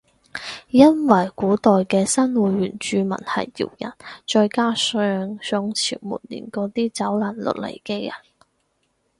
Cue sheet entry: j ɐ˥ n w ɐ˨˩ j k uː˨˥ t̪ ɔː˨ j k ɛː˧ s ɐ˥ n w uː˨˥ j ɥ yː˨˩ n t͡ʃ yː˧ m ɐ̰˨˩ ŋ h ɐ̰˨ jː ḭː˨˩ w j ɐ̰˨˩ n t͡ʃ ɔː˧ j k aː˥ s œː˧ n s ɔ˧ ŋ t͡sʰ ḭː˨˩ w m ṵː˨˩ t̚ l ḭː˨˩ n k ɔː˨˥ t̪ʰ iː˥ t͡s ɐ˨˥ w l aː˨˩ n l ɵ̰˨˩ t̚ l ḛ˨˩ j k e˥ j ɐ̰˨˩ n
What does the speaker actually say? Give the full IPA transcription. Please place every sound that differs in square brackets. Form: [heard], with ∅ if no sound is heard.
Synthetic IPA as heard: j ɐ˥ n w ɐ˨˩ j k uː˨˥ t̪ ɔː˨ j k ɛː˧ s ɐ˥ n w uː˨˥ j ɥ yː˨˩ n t͡ʃ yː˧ m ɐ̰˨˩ [n] h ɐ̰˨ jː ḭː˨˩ w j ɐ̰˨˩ n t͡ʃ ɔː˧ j k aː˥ s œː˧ [ŋ] s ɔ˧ ŋ t͡sʰ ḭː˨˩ w m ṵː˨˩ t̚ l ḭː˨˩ n k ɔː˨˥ [t̪] iː˥ t͡s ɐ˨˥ w l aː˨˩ n l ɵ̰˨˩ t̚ l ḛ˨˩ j k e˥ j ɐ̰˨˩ n